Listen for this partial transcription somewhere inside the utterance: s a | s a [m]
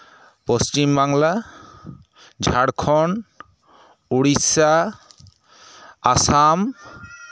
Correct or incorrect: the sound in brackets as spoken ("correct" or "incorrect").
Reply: correct